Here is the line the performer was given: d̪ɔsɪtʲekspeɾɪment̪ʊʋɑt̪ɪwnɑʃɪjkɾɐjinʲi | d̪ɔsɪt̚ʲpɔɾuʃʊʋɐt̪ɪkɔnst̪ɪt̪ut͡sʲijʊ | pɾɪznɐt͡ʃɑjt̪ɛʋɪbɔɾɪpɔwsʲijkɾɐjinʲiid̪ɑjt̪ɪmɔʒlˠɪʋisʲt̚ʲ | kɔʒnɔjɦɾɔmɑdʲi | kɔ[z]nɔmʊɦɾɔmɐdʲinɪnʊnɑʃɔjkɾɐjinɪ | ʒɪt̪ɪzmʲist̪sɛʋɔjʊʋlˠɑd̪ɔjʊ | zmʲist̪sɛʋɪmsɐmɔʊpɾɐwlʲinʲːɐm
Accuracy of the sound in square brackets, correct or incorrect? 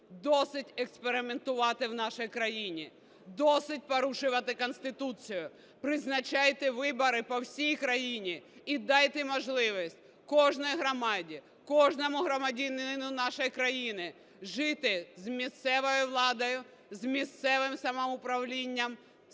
incorrect